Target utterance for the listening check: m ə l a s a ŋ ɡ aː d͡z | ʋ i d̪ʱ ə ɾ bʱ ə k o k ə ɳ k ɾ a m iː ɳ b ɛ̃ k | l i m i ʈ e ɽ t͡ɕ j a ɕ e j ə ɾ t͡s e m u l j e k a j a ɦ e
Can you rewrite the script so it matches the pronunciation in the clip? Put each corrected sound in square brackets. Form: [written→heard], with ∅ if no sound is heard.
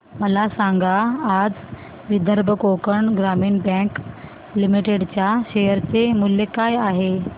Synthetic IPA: m ə l a s a ŋ ɡ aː d͡z | ʋ i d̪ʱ ə ɾ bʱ ə k o k ə ɳ [k→ɡ] ɾ a m iː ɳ b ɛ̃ k | l i m i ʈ e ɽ t͡ɕ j a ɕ e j ə ɾ t͡s e m u l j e k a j a ɦ e